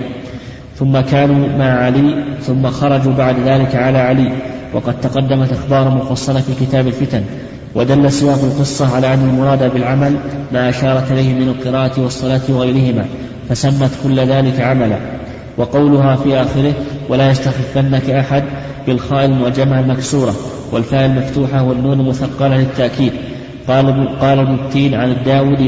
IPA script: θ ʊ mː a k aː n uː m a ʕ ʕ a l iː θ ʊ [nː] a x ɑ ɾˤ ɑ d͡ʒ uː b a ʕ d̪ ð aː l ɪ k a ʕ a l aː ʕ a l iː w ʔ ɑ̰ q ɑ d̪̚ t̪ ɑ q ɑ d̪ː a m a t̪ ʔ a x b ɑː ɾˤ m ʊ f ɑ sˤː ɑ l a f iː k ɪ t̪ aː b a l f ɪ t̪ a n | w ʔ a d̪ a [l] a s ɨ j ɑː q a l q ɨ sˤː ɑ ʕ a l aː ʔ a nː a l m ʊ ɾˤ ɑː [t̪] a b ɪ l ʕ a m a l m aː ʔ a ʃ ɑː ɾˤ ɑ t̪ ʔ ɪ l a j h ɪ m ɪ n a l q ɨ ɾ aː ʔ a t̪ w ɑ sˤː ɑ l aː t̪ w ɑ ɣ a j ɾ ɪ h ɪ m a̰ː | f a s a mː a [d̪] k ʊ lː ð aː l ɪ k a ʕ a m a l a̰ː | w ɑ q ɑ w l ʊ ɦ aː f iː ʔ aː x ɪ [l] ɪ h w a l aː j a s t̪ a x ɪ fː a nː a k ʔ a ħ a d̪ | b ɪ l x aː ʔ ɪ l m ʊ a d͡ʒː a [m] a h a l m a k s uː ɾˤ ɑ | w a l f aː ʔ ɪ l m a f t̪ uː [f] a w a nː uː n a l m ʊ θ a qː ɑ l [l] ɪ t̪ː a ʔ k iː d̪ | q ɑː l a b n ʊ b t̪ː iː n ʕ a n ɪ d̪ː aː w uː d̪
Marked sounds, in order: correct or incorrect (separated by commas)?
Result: incorrect, incorrect, incorrect, incorrect, incorrect, correct, incorrect, correct